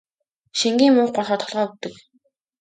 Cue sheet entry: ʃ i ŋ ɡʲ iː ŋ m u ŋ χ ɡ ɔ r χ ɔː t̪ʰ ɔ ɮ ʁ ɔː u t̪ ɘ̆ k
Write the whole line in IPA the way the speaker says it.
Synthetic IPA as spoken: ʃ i ŋ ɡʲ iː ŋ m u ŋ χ ɢ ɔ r χ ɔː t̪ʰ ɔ ɮ ʁ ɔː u t̪ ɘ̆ k